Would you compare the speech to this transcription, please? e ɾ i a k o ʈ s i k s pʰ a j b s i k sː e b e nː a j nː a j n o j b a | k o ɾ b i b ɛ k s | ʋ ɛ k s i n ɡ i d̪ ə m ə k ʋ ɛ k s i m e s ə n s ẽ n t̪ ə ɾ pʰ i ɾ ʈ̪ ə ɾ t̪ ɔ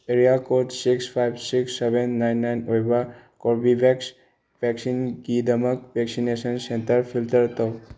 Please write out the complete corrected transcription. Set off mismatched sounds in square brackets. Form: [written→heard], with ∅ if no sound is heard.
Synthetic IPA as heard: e ɾ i a k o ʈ s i k s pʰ a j b s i k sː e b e nː a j nː a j n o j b a | k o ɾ b i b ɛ k s | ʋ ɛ k s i n ɡ i d̪ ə m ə k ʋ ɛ k s i [m→n] e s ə n s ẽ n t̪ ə ɾ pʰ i [ɾ→l] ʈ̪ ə ɾ t̪ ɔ